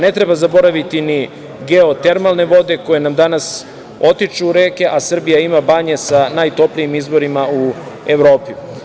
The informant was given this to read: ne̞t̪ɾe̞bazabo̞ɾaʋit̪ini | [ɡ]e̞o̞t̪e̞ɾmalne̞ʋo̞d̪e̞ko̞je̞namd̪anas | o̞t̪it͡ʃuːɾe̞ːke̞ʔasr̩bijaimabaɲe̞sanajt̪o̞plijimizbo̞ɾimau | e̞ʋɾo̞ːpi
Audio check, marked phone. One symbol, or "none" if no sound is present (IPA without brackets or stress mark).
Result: ɡ